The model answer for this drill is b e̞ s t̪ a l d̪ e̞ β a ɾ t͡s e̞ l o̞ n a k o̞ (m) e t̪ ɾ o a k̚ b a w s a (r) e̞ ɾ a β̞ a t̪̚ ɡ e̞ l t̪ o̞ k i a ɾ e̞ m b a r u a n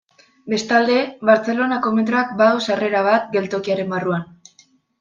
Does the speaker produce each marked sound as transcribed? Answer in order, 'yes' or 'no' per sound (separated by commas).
yes, yes